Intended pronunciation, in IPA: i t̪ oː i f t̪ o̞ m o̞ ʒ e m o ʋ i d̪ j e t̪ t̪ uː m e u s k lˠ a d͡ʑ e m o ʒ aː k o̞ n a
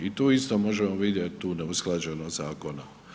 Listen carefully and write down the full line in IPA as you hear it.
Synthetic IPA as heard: i t̪ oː i s t̪ o̞ m o̞ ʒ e m o ʋ i d̪ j e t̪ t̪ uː n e u s k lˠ a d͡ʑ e n o z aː k o̞ n a

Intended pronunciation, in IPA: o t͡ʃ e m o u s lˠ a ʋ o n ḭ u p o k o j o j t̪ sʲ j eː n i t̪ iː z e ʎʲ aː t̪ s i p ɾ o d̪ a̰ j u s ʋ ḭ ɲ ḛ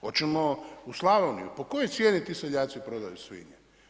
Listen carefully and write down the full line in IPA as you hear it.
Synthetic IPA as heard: o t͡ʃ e m o u s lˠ a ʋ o n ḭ u p o k o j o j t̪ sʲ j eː n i t̪ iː s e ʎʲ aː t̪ s i p ɾ o d̪ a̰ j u s ʋ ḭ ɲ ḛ

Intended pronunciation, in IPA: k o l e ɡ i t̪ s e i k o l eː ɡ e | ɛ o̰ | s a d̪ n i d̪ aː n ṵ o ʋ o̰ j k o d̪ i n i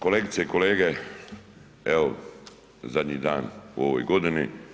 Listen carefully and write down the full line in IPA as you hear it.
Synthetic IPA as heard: k o l e ɡ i t̪ s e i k o l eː ɡ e | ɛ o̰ | z a d̪ ɲ i d̪ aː n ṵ o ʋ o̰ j ɡ o d̪ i n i

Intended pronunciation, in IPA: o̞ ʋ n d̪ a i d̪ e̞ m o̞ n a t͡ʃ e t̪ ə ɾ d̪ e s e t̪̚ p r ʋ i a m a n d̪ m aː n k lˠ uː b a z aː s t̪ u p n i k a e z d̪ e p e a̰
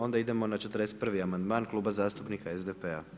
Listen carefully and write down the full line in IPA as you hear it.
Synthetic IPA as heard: o̞ n d̪ a i d̪ e̞ m o̞ n a t͡ʃ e t̪ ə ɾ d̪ e s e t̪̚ p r ʋ i a m a n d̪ m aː n k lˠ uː b a z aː s t̪ u p n i k a e z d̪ e p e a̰

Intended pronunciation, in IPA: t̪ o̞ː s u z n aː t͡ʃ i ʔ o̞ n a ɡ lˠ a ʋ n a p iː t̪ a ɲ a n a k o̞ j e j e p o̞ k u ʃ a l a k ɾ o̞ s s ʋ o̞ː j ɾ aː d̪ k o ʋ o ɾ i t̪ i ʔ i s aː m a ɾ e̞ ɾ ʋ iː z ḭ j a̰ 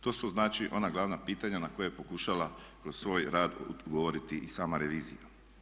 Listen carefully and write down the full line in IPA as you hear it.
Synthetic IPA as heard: t̪ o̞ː s u z n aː t͡ʃ i ʔ o̞ n a ɡ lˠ a ʋ n a p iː t̪ a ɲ a n a k o̞ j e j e p o̞ k u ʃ a l a k ɾ o̞ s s ʋ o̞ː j ɾ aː d̪ ɡ o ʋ o ɾ i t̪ i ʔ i s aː m a ɾ e̞ ʋ iː z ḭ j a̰

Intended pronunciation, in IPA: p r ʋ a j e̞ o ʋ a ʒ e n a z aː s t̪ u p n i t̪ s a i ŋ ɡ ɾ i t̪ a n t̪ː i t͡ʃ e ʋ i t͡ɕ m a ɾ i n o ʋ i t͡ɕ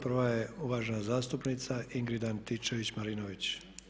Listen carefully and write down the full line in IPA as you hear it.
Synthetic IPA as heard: p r ʋ a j e̞ u ʋ a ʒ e n a z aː s t̪ u p n i t̪ s a i ŋ ɡ ɾ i d̪ a n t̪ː i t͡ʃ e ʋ i t͡ɕ m a ɾ i n o ʋ i t͡ɕ

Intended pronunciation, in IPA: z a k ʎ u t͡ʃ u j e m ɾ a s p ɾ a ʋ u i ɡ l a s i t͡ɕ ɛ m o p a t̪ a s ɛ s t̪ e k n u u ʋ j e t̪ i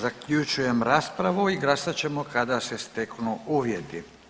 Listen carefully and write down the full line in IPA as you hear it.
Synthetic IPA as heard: z a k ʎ u t͡ʃ u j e m ɾ a s p ɾ a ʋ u i ɡ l a s a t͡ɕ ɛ m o k a d̪ a s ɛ s t̪ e k n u u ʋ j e t̪ i

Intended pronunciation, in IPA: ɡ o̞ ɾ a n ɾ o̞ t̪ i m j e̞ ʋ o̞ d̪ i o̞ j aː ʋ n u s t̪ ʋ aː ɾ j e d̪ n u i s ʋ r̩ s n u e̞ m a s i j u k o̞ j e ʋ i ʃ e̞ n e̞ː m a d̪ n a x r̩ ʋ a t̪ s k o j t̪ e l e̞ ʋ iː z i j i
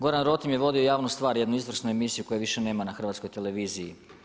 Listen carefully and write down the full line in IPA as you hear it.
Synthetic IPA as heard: ɡ o̞ ɾ a n ɾ o̞ t̪ i m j e̞ ʋ o̞ d̪ i o̞ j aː ʋ n u s t̪ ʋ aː ɾ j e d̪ n u i z ʋ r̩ s n u e̞ m i s i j u k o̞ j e ʋ i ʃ e̞ n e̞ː m a n a x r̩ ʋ a t̪ s k o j t̪ e l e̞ ʋ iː z i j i

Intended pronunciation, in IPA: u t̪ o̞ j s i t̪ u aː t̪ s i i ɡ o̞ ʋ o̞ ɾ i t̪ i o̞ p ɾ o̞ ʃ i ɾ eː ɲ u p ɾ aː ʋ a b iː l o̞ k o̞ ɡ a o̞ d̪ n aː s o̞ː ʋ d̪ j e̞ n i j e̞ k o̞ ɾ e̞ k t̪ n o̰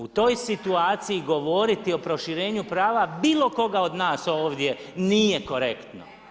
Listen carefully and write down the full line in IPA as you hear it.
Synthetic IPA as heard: u t̪ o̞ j s i t̪ u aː t̪ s i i ɡ o̞ ʋ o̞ ɾ i t̪ i o̞ p ɾ o̞ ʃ i ɾ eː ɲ u p ɾ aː ʋ a b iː l o̞ k o̞ ɡ a o̞ d̪ n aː s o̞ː ʋ d̪ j e̞ n i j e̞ k o̞ ɾ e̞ k t̪ n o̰

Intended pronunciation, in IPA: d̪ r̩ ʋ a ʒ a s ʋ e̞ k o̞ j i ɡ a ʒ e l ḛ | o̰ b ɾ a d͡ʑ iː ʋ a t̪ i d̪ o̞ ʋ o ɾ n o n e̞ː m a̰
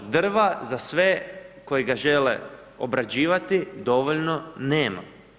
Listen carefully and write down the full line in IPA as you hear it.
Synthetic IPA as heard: d̪ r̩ ʋ a z a s ʋ e̞ k o̞ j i ɡ a ʒ e l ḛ | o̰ b ɾ a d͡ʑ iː ʋ a t̪ i d̪ o̞ ʋ o ʎ n o n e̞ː m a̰

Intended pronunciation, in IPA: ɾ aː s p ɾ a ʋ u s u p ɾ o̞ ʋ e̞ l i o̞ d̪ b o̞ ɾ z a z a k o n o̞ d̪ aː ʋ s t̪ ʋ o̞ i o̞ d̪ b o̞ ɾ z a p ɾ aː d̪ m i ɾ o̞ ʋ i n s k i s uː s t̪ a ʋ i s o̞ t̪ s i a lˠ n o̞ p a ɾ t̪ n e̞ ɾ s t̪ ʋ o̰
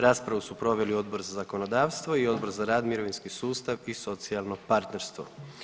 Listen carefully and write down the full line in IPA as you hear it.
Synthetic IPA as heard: ɾ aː s p ɾ a ʋ u s u p ɾ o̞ ʋ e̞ l i o̞ d̪ b o̞ ɾ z a z a k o n o̞ d̪ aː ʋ s t̪ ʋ o̞ i o̞ d̪ b o̞ ɾ z a ɾ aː d̪ m i ɾ o̞ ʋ i n s k i s uː s t̪ a ʋ i s o̞ t̪ s i a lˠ n o̞ p a ɾ t̪ n e̞ ɾ s t̪ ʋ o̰

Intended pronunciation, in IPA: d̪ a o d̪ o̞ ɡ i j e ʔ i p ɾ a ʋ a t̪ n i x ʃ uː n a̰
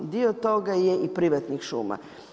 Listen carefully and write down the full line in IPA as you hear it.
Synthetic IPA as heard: d̪ i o t̪ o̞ ɡ a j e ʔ i p ɾ i ʋ a t̪ n i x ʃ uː m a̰

